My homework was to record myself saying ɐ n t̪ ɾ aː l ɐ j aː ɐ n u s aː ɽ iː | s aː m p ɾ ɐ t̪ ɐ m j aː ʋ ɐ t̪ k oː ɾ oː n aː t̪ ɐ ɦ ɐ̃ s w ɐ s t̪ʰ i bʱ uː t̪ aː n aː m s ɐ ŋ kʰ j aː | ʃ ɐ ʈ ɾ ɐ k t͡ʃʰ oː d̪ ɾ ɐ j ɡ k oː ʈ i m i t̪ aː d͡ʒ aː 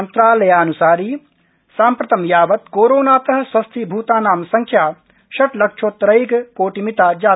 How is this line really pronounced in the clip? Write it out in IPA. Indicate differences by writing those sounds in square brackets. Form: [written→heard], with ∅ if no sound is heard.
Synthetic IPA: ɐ n t̪ ɾ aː l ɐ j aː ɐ n u s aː [ɽ→ɾ] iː | s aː m p ɾ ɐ t̪ ɐ m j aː ʋ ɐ t̪ k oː ɾ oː n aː t̪ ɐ ɦ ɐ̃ s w ɐ s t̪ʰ i bʱ uː t̪ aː n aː m s ɐ ŋ kʰ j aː | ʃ ɐ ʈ [ɾ→l] ɐ k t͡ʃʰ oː [d̪→t̪] ɾ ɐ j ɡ k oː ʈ i m i t̪ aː d͡ʒ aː